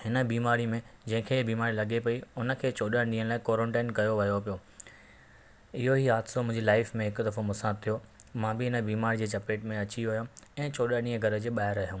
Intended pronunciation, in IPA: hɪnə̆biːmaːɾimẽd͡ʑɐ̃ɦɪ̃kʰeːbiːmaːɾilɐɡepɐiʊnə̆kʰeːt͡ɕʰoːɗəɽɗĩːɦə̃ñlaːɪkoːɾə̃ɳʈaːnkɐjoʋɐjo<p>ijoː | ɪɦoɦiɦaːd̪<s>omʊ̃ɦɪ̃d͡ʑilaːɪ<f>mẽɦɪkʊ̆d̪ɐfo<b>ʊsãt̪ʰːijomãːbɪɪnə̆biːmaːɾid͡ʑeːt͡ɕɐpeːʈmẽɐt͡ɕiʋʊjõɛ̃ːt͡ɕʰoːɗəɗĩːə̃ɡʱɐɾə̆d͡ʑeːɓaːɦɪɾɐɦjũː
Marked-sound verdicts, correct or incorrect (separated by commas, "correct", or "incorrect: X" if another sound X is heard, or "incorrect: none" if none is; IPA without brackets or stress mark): correct, correct, correct, incorrect: m